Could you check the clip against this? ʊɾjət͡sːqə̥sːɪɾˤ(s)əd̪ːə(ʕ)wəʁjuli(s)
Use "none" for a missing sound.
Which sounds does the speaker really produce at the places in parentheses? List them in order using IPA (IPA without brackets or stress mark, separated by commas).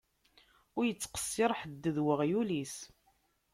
ħ, ð, s